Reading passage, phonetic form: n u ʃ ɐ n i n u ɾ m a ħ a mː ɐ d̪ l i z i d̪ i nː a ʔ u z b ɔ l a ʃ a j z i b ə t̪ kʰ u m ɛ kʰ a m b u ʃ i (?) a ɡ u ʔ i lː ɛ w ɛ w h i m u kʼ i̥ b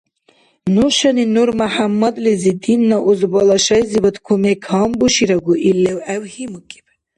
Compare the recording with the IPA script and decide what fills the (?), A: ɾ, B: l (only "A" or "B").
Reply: A